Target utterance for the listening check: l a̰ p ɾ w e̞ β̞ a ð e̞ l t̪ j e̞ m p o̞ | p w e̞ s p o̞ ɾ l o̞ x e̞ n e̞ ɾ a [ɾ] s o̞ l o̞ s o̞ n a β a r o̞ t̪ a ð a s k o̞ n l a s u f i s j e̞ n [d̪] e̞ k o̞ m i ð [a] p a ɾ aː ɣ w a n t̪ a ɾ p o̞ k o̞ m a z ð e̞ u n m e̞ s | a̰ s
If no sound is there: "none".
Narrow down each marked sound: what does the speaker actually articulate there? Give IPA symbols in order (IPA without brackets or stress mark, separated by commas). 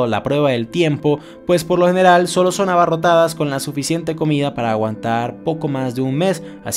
l, t̪, a